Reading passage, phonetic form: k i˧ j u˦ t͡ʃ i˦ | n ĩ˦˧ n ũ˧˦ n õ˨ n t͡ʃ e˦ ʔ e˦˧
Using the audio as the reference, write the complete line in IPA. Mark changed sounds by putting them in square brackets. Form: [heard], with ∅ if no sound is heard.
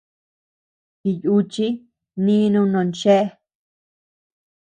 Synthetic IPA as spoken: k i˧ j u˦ t͡ʃ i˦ | n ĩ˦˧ n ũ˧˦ n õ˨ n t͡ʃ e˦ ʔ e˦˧

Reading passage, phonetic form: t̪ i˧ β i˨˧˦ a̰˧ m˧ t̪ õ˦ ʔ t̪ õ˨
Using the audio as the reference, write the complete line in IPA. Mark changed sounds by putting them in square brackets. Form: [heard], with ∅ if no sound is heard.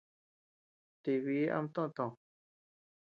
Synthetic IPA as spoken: t̪ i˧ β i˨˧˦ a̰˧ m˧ t̪ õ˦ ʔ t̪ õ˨

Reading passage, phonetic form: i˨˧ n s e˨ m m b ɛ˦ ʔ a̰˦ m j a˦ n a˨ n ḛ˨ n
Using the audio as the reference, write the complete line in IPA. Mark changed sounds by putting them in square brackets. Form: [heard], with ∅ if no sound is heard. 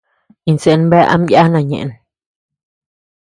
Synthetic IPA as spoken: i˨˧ n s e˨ [n] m b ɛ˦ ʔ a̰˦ m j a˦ n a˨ [ɲ] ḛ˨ n

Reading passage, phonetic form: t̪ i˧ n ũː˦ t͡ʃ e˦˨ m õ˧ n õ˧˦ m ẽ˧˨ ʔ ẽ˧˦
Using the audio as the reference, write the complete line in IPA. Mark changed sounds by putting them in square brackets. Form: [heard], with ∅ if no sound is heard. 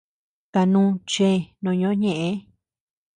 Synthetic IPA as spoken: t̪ [a˧] n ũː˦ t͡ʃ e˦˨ [n] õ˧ [ɲ] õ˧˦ [ɲ] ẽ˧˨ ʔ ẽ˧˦

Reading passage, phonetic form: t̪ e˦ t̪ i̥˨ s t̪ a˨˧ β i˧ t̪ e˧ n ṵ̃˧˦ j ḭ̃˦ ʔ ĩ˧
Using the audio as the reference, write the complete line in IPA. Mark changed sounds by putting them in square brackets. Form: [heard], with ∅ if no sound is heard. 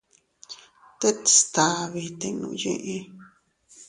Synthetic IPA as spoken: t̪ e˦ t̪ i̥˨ s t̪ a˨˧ β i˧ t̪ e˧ n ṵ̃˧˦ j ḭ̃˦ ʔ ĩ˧

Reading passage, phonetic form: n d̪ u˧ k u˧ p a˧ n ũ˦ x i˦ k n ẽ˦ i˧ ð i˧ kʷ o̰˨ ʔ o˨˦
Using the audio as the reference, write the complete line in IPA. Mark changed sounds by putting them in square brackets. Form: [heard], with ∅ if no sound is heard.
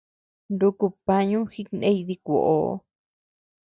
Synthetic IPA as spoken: n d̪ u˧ k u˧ p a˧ [ɲ] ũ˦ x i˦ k n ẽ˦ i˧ ð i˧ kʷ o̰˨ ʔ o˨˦

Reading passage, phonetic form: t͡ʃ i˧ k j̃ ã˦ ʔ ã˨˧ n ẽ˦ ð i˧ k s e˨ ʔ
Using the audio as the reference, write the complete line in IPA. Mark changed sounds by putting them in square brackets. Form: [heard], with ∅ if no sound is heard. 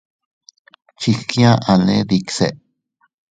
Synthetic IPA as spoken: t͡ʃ i˧ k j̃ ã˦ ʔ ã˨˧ n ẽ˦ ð i˧ k s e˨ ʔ

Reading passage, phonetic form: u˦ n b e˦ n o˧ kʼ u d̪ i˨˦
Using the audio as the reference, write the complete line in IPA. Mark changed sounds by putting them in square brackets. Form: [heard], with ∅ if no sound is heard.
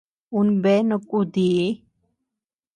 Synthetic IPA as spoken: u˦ n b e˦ n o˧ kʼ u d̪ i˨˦

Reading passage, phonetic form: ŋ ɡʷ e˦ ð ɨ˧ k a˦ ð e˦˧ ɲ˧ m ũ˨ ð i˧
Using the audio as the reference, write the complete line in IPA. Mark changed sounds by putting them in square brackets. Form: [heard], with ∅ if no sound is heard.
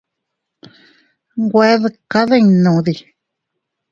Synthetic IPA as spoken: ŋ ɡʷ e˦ ð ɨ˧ k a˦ ð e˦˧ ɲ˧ [n] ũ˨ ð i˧

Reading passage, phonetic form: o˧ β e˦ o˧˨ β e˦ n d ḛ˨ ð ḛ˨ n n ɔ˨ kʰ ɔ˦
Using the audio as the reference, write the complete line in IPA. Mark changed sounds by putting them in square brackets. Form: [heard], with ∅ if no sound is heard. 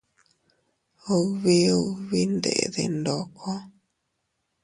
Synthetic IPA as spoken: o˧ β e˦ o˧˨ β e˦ n d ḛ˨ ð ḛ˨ n [d] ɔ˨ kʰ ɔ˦

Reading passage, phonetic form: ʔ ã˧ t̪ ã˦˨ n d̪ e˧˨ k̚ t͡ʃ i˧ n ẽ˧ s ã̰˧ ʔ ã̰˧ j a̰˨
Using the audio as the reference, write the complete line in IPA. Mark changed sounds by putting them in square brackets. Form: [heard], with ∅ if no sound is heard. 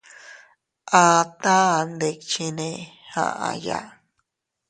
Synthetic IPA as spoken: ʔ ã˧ t̪ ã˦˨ n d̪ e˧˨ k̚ t͡ʃ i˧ n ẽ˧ [h] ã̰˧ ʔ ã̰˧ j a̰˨

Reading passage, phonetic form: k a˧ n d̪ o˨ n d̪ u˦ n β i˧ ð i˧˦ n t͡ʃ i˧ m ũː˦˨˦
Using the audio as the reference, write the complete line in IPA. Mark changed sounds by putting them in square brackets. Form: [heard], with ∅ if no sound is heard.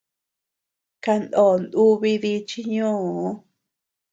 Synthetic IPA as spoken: k a˧ n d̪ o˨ n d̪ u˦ [∅] β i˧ ð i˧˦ [∅] t͡ʃ i˧ [ɲ] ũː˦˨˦

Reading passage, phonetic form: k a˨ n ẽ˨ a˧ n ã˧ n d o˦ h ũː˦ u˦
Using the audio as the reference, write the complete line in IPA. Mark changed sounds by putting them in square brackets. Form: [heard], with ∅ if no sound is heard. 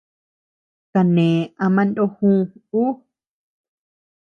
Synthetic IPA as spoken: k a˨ n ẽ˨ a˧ [m] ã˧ n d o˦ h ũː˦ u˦

